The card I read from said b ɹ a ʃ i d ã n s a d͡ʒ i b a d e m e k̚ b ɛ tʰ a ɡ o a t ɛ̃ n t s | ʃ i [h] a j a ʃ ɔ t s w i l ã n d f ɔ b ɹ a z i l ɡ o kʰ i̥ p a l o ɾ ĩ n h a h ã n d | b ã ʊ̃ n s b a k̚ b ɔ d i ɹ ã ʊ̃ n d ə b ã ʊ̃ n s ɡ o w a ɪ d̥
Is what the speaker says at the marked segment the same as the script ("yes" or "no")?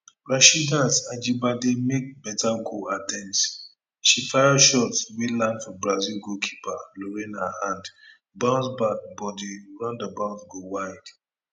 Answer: no